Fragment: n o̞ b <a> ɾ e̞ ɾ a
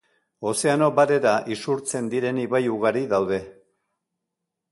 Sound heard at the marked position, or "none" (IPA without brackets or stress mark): a